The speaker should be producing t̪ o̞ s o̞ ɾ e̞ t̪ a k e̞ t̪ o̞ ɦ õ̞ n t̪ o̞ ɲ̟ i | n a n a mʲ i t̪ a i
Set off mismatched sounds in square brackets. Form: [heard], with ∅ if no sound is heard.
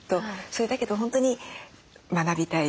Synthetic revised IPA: t̪ o̞ s o̞ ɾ e̞ [d̪] a k e̞ [d̪] o̞ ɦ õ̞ n t̪ o̞ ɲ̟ i | [m] a n a [bʲ] i t̪ a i